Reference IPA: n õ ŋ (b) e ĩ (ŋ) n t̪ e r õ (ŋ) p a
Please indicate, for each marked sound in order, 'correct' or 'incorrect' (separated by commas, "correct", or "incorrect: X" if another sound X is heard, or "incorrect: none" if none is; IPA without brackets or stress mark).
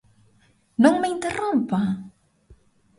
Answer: incorrect: m, incorrect: none, incorrect: m